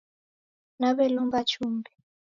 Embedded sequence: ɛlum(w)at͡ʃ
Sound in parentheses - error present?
yes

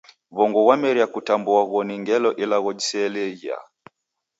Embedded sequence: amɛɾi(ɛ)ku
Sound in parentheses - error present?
yes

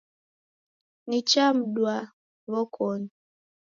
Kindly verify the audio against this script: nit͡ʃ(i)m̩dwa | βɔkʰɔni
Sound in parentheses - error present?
yes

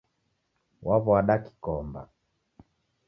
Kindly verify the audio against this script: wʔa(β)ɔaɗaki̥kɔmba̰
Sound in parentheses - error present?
no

